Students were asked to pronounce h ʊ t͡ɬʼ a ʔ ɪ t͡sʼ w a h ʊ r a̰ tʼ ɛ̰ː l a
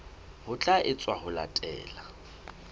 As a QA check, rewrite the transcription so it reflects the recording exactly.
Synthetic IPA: h ʊ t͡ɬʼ a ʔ ɪ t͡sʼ w a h ʊ l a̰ tʼ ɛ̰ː l a